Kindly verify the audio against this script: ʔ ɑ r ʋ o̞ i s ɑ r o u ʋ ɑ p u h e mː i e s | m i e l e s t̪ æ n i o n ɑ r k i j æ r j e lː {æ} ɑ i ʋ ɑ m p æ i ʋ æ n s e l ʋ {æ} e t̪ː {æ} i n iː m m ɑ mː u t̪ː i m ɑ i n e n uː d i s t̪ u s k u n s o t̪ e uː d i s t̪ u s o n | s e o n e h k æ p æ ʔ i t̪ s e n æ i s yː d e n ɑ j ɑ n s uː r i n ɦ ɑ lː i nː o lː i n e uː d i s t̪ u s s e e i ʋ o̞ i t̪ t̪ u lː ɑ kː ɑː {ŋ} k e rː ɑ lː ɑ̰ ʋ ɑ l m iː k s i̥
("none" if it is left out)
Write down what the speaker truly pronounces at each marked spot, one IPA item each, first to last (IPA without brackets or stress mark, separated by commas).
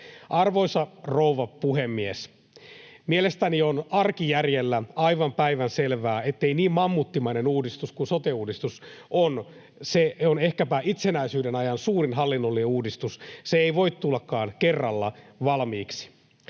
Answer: æ, æː, e, n